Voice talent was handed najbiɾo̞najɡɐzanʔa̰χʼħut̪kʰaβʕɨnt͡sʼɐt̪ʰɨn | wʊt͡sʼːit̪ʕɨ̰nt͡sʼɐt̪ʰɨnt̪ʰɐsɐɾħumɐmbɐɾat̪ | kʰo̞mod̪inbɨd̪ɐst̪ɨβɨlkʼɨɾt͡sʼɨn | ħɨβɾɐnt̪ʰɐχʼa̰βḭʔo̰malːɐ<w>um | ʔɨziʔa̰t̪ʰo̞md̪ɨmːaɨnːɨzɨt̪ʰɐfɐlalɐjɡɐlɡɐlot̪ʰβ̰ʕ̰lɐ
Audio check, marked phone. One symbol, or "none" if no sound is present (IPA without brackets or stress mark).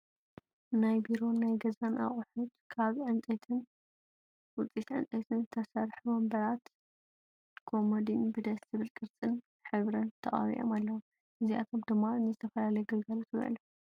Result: w